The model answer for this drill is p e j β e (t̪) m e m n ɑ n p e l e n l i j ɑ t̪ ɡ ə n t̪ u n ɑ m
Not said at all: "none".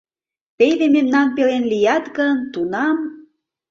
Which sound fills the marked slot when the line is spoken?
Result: none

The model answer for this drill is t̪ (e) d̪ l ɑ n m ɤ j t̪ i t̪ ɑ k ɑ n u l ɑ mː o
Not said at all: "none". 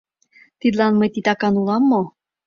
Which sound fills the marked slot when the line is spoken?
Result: i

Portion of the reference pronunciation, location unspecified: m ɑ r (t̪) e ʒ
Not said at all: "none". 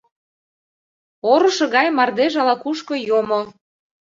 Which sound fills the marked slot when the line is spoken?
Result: d̪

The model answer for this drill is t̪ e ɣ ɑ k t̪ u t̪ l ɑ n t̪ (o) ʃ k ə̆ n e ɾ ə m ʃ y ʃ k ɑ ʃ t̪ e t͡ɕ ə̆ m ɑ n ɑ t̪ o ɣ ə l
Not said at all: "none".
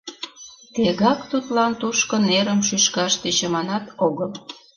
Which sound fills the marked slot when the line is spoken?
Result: u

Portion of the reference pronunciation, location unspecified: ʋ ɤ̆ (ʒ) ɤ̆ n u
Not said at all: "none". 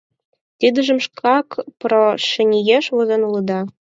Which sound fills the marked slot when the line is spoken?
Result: z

